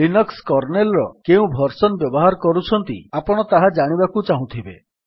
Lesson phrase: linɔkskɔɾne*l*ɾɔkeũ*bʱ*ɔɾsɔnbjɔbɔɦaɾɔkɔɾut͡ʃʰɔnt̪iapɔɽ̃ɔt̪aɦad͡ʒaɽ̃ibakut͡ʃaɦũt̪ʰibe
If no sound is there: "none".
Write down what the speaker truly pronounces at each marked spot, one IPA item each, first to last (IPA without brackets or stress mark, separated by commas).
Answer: l, bʱ